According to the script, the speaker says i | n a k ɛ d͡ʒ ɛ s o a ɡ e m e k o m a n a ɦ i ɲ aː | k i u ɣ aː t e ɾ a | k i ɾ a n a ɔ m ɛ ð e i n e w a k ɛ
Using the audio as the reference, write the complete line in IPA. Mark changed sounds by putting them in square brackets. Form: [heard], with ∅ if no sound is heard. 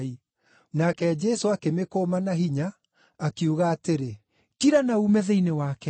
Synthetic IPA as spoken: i | n a k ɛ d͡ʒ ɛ s o a [k] e m e k o m a n a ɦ i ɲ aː | k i u ɣ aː t e ɾ [e] | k i ɾ a n a [u] m ɛ ð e i n e w a k ɛ